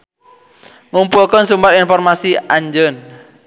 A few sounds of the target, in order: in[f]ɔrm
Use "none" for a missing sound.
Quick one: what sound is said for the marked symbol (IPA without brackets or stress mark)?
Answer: f